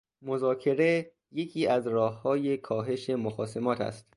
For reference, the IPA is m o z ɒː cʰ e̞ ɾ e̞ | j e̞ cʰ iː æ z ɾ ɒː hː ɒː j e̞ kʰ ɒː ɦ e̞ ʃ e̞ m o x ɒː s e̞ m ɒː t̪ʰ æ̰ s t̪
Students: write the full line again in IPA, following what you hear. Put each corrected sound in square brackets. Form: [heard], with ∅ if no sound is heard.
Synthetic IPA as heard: m o z ɒː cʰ e̞ ɾ e̞ | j e̞ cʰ iː æ z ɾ ɒː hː ɒː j e̞ kʰ ɒː ɦ e̞ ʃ e̞ m o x ɒː s e̞ m ɒː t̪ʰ æ̰ s t̪